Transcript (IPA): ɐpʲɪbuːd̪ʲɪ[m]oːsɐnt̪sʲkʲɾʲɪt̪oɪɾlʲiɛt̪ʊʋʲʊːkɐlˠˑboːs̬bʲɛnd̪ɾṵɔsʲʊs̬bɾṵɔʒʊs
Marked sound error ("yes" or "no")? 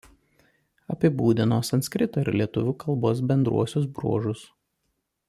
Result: yes